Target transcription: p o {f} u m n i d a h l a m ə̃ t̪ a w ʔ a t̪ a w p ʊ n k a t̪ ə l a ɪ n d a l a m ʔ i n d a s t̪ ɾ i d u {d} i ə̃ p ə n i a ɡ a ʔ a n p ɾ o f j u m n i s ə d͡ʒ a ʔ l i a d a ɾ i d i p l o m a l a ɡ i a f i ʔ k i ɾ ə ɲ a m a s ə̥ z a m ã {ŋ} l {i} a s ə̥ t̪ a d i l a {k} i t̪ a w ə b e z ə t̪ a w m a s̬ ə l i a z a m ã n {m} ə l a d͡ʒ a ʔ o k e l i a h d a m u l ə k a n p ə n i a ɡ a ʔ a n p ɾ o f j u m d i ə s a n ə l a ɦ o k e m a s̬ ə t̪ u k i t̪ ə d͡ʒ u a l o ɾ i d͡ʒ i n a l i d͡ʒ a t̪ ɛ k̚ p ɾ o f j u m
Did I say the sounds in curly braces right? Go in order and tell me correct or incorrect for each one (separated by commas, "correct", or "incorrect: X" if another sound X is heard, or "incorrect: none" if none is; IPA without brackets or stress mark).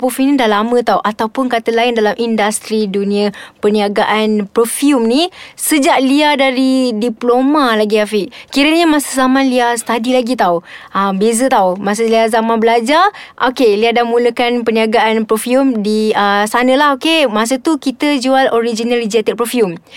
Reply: correct, incorrect: n, incorrect: n, correct, incorrect: ɡ, incorrect: b